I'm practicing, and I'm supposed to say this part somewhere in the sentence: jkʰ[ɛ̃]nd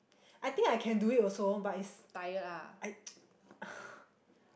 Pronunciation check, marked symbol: correct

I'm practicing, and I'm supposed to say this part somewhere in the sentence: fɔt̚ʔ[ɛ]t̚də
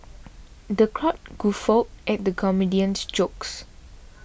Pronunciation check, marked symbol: correct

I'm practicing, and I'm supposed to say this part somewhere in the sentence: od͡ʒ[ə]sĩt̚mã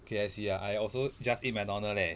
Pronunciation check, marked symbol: incorrect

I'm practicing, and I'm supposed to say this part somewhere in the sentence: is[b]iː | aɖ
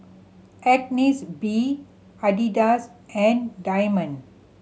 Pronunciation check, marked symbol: correct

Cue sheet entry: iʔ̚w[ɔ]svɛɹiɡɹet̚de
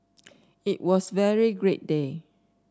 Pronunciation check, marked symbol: correct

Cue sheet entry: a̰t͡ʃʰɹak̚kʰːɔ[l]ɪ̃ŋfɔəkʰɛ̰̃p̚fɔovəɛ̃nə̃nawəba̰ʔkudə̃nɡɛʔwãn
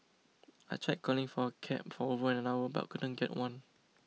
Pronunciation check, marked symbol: correct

